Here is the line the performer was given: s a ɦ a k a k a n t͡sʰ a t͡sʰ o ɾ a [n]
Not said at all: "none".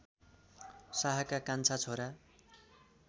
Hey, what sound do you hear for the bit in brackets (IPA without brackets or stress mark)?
none